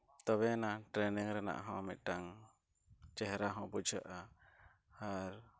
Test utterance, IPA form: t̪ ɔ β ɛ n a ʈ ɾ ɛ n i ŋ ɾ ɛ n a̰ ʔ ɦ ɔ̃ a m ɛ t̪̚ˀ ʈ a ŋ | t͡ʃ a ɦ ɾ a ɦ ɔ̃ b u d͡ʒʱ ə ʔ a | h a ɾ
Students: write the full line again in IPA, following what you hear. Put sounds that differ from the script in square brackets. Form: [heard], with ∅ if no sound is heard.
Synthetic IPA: t̪ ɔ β ɛ n a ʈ ɾ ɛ n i ŋ ɾ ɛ n a̰ ʔ ɦ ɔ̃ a m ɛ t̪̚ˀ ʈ a ŋ | t͡ʃ [ɛ] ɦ ɾ a ɦ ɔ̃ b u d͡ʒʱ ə ʔ a | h a ɾ